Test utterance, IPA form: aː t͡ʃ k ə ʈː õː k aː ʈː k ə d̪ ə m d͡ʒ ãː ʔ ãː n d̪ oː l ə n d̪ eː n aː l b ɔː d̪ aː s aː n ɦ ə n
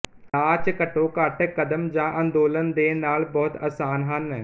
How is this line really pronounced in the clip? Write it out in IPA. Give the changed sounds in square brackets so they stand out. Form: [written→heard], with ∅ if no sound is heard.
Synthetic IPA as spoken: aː t͡ʃ k ə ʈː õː k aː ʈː k ə d̪ ə m d͡ʒ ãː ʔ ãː n d̪ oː l ə n d̪ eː n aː l b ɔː [d̪→t̪] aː s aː n ɦ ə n